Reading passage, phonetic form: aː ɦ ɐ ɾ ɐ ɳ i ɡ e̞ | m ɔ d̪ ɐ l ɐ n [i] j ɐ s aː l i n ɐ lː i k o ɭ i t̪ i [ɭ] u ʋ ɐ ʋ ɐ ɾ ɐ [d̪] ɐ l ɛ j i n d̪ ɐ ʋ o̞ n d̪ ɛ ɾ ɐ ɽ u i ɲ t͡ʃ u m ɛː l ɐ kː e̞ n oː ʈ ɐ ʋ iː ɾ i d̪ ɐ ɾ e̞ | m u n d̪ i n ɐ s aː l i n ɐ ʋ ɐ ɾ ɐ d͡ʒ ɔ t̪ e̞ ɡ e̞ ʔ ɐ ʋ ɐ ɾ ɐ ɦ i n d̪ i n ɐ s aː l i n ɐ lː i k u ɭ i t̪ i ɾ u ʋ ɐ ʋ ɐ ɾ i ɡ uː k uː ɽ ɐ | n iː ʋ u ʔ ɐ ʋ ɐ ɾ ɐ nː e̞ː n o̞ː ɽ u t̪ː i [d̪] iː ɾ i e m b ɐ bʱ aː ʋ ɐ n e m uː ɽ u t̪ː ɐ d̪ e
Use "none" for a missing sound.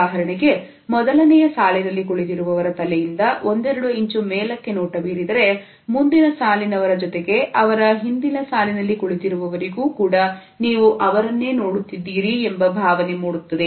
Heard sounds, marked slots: ɛ, ɾ, t̪, d̪ː

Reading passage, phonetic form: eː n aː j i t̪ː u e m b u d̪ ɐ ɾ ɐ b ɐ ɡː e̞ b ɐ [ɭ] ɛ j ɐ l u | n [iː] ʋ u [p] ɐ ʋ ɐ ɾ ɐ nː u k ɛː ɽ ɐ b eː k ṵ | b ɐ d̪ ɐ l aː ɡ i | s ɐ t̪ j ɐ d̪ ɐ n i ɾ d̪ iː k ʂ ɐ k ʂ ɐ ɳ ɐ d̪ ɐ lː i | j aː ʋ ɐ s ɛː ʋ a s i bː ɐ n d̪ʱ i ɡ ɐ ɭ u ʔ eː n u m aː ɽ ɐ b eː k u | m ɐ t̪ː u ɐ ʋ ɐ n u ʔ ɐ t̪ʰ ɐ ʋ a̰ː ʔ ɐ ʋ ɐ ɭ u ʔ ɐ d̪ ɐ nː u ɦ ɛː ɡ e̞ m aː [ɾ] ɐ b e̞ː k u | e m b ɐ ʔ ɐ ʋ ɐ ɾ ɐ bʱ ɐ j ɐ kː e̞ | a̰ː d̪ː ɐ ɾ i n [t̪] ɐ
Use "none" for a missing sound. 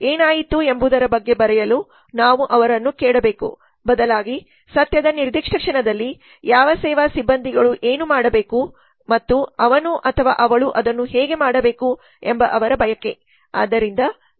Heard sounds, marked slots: ɾ, aː, ʔ, ɽ, d̪

